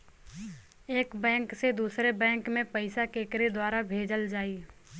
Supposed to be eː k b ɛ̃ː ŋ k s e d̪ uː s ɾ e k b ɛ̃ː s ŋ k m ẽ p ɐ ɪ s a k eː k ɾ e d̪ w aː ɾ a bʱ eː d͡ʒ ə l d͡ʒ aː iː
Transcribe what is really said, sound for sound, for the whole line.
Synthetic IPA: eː k b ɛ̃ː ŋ k s e d̪ uː s ɾ e b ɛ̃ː ŋ k m ẽ p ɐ ɪ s a k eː k ɾ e d̪ w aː ɾ a bʱ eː d͡ʒ ə l d͡ʒ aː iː